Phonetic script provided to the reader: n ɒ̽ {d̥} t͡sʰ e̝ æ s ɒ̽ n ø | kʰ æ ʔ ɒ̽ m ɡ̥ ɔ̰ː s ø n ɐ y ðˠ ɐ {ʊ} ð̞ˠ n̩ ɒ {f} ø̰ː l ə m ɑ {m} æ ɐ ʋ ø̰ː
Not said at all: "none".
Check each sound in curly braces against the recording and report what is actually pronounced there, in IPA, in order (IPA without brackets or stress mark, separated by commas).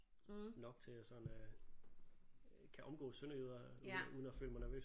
ɡ̥, u, f, n